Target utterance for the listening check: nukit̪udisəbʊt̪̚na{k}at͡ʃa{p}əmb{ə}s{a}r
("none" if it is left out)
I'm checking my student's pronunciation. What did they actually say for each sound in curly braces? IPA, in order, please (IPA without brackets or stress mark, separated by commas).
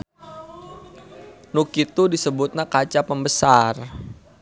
k, p, ə, a